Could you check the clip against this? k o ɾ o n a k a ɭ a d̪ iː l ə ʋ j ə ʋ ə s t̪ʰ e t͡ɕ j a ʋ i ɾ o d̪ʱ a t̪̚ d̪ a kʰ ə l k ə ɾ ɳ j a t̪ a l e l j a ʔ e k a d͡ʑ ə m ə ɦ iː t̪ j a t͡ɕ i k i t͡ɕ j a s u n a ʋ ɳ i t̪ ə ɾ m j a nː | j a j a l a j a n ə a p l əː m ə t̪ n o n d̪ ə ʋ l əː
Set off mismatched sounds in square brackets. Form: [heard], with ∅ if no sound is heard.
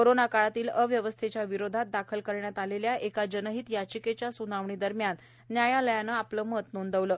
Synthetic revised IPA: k o ɾ o n a k a ɭ a [t̪] iː l ə ʋ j ə ʋ ə s t̪ʰ e t͡ɕ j a ʋ i ɾ o d̪ʱ a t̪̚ d̪ a kʰ ə l k ə ɾ ɳ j a t̪ a l e l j a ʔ e k a d͡ʑ ə [n] ə ɦ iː t̪ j a t͡ɕ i k [e] t͡ɕ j a s u n a ʋ ɳ i [d̪] ə ɾ m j a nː | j a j a l [ə] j a n ə a p l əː m ə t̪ n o n d̪ ə ʋ l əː